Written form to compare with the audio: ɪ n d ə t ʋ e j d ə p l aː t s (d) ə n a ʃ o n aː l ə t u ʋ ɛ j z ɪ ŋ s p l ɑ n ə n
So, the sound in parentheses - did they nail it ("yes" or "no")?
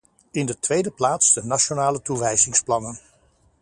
yes